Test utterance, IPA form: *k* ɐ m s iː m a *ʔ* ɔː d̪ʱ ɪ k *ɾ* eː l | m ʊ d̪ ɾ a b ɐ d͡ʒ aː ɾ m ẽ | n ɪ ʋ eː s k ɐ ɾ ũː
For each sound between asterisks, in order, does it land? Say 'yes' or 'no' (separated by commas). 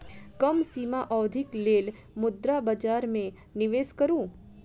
yes, yes, no